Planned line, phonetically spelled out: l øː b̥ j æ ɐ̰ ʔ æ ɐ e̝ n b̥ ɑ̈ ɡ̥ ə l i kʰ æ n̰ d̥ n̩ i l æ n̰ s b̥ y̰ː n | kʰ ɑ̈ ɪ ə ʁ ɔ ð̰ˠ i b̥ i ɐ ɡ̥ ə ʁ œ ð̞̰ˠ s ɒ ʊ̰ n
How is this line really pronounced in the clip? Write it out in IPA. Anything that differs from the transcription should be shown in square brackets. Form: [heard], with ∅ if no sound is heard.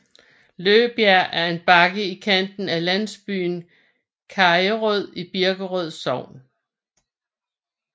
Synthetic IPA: l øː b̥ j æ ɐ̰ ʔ æ ɐ e̝ n b̥ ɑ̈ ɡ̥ ə [∅] i kʰ æ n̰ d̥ n̩ [æ] l æ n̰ s b̥ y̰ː n | kʰ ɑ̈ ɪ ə ʁ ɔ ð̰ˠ i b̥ i ɐ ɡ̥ ə ʁ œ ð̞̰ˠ s ɒ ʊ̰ n

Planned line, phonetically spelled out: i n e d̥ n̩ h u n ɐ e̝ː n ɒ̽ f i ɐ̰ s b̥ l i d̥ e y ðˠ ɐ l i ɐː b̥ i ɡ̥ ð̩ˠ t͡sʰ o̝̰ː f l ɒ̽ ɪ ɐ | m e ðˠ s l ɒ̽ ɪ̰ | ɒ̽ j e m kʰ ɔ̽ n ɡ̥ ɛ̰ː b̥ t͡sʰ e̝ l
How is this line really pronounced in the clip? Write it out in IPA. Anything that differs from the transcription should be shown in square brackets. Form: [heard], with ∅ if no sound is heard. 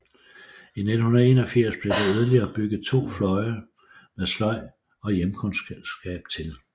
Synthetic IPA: i n e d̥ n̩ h u n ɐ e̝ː n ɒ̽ f i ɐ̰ s b̥ l [e] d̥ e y ðˠ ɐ l i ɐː b̥ [y] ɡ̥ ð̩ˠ t͡sʰ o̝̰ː f l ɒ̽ ɪ ɐ | m e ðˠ s l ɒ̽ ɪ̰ | ɒ̽ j e m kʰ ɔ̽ n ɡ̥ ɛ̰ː b̥ t͡sʰ e̝ l

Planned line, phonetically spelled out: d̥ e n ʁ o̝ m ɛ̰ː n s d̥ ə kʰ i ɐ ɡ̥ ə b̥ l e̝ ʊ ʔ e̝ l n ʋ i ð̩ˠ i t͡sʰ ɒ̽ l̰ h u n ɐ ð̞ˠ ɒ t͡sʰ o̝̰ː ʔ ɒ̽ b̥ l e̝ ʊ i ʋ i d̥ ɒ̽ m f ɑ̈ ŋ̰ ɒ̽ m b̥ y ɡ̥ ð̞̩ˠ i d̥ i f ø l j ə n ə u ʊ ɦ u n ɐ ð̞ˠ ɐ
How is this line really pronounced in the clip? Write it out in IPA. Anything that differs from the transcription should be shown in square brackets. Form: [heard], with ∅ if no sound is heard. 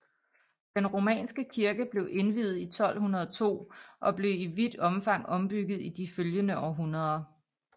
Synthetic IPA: d̥ e n ʁ o̝ m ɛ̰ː n s [ɡ̥] ə kʰ i ɐ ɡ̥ ə b̥ l e̝ ʊ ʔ e̝ [∅] n ʋ i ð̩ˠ i t͡sʰ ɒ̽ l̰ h u n ɐ ð̞ˠ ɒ t͡sʰ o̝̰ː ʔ ɒ̽ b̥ l e̝ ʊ i ʋ i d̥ ɒ̽ m f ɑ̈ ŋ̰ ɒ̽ m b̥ y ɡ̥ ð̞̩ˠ i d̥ i f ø l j ə n ə [ɒ] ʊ ɦ u n ɐ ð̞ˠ ɐ

